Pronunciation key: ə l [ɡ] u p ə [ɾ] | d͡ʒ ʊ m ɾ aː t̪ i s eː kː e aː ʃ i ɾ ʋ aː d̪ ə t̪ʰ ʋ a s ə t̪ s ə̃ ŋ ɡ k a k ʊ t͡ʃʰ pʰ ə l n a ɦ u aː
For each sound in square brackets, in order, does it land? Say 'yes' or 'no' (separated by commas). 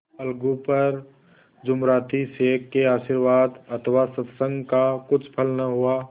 yes, yes